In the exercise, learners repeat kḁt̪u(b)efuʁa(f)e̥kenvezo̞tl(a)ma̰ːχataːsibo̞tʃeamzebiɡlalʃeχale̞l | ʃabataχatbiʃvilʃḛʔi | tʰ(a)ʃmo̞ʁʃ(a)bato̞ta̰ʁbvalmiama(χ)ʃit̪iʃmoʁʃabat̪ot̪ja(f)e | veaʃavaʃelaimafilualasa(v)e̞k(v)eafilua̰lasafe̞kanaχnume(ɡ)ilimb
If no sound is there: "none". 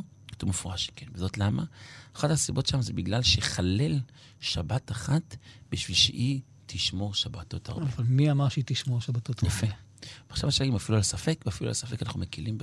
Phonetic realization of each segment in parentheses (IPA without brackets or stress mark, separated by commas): m, ʃ, a, i, a, ʁ, f, f, v, k